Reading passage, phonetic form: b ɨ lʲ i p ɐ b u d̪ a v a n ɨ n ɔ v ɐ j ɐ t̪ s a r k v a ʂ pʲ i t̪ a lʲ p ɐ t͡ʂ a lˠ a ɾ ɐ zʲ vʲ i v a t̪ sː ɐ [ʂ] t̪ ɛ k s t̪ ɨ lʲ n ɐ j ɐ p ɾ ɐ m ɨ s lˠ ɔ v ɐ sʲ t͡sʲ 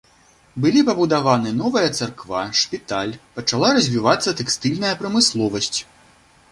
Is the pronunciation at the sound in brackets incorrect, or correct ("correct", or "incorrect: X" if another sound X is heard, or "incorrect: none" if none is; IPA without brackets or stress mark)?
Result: incorrect: none